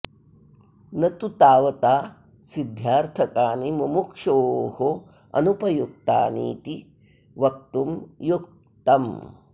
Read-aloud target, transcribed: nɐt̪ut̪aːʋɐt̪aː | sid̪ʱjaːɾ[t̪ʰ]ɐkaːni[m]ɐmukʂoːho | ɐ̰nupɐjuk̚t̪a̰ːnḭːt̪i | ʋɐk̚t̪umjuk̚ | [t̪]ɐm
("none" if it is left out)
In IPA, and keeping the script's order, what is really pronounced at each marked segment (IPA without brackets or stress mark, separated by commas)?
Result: t̪ʰ, m, t̪